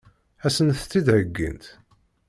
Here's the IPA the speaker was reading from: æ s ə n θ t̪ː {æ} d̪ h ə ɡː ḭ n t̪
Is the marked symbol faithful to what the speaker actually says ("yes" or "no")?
no